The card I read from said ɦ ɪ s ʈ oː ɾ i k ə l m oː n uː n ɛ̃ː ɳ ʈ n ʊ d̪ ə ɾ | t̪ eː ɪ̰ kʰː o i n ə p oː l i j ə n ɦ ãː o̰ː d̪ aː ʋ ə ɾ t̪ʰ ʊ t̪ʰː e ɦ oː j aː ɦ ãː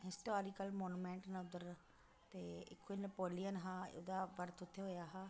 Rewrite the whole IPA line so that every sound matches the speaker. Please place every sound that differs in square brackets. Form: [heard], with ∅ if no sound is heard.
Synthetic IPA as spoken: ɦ ɪ s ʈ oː ɾ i k ə l m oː n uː [m] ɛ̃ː ɳ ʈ n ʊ d̪ ə ɾ | t̪ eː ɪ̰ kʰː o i n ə p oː l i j ə n ɦ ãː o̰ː d̪ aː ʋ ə ɾ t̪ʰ ʊ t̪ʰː e ɦ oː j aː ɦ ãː